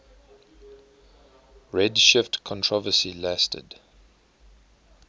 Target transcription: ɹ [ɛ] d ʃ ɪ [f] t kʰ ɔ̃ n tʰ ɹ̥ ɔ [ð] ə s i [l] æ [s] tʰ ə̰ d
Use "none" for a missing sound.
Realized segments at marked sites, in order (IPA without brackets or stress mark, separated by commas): ɛ, f, v, l, s